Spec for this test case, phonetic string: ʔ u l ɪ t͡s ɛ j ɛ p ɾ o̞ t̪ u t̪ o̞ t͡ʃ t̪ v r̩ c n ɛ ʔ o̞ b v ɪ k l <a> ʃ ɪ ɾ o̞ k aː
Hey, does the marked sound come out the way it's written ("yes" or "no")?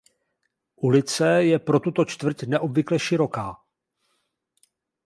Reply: no